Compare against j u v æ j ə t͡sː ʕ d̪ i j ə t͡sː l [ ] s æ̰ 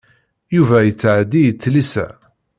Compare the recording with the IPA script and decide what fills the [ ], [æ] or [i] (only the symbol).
i